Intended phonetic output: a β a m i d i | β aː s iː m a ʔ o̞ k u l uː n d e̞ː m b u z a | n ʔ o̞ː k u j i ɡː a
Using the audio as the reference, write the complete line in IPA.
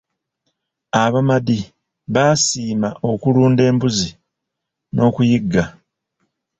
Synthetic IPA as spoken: a β a m a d i | β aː s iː m a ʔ o̞ k u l uː n d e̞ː m b u z i | n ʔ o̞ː k u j i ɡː a